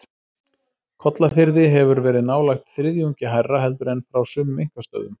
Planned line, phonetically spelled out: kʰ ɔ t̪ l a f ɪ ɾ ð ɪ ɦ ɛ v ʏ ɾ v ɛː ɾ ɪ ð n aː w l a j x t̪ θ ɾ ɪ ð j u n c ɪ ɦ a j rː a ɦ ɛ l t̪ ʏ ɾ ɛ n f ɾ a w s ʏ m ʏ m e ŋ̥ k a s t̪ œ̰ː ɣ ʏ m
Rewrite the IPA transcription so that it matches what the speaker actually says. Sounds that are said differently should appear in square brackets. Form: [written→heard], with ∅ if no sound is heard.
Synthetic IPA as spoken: kʰ ɔ t̪ l a f ɪ ɾ ð ɪ ɦ ɛ v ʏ ɾ v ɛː ɾ ɪ ð n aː w l a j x t̪ θ ɾ ɪ ð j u [n→ɲ] c ɪ ɦ a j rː a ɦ ɛ l t̪ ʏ ɾ ɛ n f ɾ a w s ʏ m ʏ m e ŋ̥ k a s t̪ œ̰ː [ɣ→ð] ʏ m